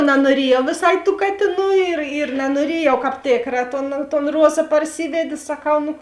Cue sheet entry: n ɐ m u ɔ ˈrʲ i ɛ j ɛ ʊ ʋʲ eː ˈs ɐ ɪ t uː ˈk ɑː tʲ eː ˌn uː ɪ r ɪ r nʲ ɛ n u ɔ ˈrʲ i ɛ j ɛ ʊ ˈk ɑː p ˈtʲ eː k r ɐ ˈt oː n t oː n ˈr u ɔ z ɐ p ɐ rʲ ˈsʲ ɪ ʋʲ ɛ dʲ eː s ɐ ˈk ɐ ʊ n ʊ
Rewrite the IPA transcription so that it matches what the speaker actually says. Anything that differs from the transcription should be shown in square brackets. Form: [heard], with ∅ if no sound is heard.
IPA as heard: n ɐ [n] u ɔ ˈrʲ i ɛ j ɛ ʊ ʋʲ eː ˈs ɐ ɪ t uː ˈk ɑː tʲ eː ˌn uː ɪ r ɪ r nʲ ɛ n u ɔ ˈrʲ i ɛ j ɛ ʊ ˈk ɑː p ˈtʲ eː k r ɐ ˈt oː n t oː n ˈr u ɔ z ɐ p ɐ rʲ ˈsʲ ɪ ʋʲ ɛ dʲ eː s ɐ ˈk ɐ ʊ n ʊ